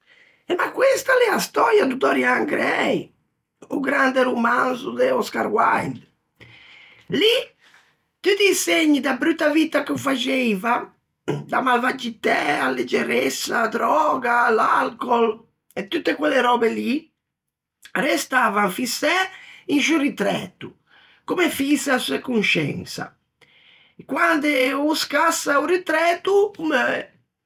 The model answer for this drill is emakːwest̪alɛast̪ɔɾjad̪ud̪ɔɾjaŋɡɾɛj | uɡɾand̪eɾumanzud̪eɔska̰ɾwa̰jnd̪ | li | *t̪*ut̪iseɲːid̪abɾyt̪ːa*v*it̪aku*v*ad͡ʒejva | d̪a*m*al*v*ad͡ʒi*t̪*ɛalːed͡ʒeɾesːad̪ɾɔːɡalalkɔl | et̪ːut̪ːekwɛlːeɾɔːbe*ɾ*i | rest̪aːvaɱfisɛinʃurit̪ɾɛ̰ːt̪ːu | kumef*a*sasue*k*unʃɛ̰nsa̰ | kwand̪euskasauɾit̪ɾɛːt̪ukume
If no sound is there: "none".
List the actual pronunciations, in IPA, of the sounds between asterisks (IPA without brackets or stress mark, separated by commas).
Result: t̪, v, f, m, v, t̪, l, i, k